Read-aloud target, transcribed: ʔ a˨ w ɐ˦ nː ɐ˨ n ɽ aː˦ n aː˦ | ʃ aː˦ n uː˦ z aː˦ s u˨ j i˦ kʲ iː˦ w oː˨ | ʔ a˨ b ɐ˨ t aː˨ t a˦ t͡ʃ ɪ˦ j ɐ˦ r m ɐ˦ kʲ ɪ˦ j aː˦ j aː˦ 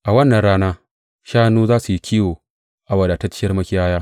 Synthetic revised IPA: ʔ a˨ w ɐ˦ nː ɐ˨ n ɽ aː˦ n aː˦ | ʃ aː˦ n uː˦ z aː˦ s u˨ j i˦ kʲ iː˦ w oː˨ | ʔ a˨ w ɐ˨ d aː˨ t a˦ t͡ʃ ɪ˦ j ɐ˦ r m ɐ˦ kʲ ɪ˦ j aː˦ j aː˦